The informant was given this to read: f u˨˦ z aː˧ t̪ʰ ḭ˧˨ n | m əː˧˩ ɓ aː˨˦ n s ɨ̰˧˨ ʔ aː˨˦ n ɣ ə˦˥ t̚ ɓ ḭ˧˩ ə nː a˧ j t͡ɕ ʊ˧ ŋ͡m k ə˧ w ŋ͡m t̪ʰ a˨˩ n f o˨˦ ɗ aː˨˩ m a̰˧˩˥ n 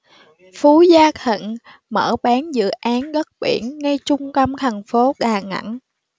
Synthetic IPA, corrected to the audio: f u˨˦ z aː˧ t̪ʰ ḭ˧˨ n | m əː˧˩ ɓ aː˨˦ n z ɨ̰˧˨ ʔ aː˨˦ n ɣ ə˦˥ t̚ ɓ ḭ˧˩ ə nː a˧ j t͡ɕ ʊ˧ ŋ͡m k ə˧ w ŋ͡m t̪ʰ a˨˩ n f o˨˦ ɗ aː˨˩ ŋ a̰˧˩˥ n